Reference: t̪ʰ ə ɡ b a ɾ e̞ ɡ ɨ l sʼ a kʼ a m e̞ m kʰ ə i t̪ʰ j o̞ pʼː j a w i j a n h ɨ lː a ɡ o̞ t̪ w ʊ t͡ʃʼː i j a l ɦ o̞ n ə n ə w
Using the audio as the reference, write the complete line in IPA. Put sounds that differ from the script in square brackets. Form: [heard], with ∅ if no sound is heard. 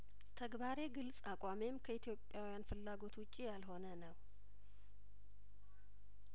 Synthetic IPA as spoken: t̪ʰ ə ɡ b a ɾ e̞ ɡ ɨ l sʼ a kʼ a m e̞ m kʰ ə i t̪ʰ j o̞ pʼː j a w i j a n [f] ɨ lː a ɡ o̞ t̪ w ʊ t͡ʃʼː i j a l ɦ o̞ n ə n ə w